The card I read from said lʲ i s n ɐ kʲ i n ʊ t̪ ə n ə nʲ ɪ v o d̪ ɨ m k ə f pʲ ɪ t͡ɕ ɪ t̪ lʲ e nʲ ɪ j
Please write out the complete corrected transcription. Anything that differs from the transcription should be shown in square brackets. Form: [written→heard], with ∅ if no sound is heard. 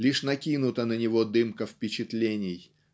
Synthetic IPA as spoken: lʲ i [s→ʂ] n ɐ kʲ i n ʊ t̪ ə n ə nʲ ɪ v o d̪ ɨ m k ə f pʲ ɪ t͡ɕ ɪ t̪ lʲ e nʲ ɪ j